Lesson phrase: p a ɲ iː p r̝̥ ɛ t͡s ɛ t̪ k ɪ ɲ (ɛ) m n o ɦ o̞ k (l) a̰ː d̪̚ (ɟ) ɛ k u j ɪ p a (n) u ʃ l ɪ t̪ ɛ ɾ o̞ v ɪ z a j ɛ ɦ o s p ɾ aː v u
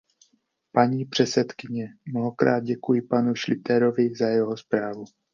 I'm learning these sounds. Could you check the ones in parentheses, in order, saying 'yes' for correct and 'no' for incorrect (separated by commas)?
yes, no, yes, yes